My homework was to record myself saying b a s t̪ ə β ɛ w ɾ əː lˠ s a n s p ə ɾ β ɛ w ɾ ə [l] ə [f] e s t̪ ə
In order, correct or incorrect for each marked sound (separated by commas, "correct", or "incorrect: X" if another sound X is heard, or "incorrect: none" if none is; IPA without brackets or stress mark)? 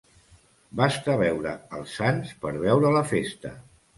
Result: correct, correct